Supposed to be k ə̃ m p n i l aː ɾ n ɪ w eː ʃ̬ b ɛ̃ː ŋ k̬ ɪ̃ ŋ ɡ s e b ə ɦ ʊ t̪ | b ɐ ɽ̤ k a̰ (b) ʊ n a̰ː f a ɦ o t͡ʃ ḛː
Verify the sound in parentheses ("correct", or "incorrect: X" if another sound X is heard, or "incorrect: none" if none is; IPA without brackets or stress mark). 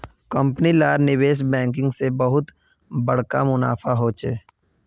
incorrect: m